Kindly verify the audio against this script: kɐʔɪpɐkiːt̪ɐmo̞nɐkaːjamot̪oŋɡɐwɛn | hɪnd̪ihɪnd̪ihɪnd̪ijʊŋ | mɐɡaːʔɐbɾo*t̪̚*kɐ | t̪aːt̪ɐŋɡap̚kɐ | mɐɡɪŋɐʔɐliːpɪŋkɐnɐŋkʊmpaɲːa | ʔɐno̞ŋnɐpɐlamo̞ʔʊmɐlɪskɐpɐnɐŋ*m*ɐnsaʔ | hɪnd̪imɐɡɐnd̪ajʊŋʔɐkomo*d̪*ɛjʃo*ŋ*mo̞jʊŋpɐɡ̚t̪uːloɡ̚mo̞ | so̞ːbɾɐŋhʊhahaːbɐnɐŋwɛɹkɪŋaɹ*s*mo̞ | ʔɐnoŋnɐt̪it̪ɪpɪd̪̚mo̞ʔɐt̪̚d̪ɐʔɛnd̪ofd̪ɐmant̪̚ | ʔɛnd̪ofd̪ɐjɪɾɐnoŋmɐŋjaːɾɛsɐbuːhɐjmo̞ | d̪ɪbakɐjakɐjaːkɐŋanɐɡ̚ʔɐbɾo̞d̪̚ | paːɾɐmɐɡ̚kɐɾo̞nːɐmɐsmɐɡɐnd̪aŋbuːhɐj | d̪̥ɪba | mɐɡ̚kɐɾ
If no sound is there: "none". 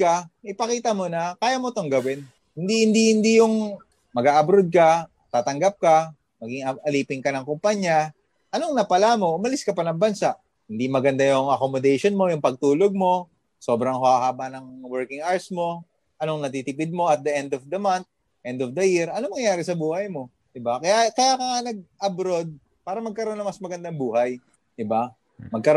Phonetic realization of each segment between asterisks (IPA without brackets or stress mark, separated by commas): d̪̚, b, d̪, n, s